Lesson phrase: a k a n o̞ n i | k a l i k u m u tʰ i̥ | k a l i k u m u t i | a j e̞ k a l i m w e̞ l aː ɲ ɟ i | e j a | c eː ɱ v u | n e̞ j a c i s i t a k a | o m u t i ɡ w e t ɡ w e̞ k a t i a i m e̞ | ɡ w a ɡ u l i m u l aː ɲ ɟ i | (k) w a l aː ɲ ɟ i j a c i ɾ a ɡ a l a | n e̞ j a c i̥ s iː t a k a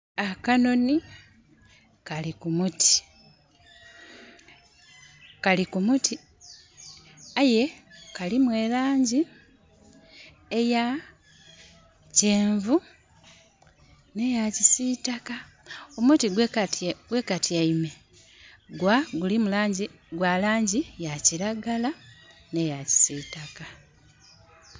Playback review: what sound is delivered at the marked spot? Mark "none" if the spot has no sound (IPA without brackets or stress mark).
ɡ